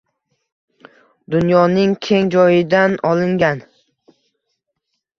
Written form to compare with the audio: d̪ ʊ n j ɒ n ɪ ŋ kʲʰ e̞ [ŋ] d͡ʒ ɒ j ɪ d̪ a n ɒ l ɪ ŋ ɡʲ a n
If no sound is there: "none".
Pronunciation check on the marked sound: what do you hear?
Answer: ŋ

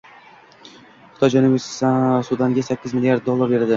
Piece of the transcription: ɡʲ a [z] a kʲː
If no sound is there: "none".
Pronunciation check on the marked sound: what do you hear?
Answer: s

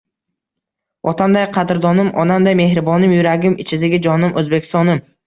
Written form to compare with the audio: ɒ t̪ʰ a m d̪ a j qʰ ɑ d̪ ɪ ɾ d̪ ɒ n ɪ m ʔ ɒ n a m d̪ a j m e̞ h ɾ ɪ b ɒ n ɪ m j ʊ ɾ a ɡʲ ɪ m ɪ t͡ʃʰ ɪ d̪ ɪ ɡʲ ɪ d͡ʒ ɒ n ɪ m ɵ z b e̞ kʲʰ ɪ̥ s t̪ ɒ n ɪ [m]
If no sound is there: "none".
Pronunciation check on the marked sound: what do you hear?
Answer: m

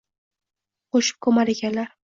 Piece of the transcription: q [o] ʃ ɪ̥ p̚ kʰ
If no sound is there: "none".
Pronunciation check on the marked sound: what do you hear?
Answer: o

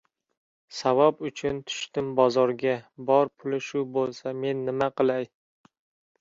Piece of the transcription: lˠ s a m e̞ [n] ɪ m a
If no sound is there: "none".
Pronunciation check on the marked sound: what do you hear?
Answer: nː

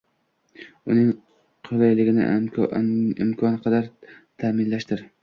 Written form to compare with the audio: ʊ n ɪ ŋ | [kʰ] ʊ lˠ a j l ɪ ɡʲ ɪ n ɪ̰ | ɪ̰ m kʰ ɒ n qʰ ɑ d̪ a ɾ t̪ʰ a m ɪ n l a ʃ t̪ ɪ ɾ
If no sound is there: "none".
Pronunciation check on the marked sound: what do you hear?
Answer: qʰ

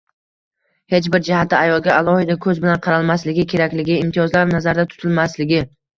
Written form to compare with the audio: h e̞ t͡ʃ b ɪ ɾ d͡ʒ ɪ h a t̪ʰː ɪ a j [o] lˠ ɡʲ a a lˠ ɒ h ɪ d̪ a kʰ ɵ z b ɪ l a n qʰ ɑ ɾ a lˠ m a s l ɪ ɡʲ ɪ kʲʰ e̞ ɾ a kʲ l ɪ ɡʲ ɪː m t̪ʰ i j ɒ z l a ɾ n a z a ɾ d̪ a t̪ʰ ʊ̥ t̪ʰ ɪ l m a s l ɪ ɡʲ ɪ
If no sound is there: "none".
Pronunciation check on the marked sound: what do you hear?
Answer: ɒ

